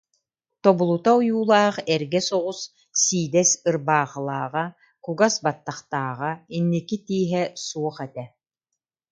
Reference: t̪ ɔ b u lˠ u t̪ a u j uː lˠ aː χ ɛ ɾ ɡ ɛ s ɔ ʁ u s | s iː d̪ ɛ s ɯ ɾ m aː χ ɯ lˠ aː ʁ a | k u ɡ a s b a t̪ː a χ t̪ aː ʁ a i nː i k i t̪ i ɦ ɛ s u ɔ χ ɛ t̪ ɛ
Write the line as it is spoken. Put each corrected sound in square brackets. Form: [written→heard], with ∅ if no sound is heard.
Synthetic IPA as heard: t̪ ɔ b u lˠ u t̪ a u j uː lˠ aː χ ɛ ɾ ɡ ɛ s ɔ ʁ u s | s iː d̪ ɛ s ɯ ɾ [m→b] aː χ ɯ lˠ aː ʁ a | k u ɡ a s b a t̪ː a χ t̪ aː ʁ a i nː i k i t̪ [i→iː] ɦ ɛ s u ɔ χ ɛ t̪ ɛ